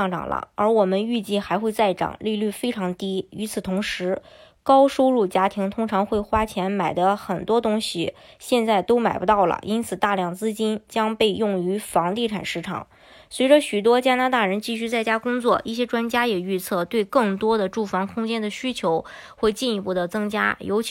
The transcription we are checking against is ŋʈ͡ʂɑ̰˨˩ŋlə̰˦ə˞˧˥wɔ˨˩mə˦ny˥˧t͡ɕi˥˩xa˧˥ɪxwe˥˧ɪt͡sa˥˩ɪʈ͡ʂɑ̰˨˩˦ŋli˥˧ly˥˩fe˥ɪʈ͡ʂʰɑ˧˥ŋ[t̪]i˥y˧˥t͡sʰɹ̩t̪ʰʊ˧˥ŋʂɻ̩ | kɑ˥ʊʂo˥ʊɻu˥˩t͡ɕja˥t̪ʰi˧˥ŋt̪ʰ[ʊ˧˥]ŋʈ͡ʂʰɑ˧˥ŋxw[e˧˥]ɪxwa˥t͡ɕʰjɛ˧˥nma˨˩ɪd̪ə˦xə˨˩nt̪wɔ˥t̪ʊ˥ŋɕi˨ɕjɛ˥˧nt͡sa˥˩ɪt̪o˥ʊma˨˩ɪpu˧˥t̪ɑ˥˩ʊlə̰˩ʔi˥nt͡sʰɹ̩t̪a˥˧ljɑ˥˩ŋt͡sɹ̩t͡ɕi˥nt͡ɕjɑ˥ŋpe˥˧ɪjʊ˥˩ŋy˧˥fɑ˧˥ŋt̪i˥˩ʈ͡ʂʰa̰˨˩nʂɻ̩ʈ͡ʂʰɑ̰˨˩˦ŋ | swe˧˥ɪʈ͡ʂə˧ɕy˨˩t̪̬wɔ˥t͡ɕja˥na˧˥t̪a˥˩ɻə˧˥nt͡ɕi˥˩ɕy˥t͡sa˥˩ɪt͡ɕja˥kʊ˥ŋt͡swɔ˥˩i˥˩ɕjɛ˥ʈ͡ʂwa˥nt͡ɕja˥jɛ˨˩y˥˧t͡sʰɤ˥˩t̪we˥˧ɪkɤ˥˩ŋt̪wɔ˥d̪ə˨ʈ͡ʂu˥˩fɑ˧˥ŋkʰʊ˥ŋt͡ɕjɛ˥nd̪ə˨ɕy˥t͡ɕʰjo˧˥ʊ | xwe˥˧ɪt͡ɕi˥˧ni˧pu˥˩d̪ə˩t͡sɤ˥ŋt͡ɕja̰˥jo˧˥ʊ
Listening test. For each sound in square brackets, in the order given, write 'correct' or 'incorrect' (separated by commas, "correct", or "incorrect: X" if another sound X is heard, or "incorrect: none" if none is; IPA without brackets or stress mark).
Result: correct, incorrect: ʊ˥, incorrect: e˥˩